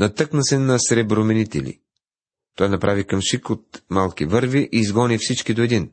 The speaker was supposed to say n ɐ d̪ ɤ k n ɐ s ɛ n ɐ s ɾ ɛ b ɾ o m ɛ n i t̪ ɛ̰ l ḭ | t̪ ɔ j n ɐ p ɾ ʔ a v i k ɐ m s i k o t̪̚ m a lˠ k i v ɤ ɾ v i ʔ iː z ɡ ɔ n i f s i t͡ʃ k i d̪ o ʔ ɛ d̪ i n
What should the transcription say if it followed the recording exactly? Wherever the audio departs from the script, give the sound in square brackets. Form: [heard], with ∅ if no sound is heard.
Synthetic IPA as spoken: n ɐ [t̪] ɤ k n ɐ s ɛ n ɐ s ɾ ɛ b ɾ o m ɛ n i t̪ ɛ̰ l ḭ | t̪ ɔ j n ɐ p ɾ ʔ a v i k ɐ m [ʃ] i k o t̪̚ m a lˠ k i v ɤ ɾ v i ʔ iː z ɡ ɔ n i f s i t͡ʃ k i d̪ o [∅] ɛ d̪ i n